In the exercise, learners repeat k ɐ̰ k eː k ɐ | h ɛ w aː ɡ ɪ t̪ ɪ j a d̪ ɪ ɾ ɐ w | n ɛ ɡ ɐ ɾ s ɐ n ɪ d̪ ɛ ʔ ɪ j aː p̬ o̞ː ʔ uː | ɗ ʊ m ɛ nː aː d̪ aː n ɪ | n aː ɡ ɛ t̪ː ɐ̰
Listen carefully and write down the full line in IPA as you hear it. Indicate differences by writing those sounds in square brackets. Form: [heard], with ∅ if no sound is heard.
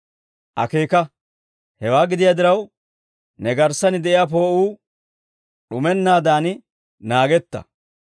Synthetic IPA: [ʔ] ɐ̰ k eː k ɐ | h ɛ w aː ɡ ɪ [d̪] ɪ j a d̪ ɪ ɾ ɐ w | n ɛ ɡ ɐ ɾ s ɐ n ɪ d̪ ɛ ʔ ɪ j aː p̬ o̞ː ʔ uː | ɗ ʊ m ɛ nː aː d̪ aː n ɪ | n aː ɡ ɛ t̪ː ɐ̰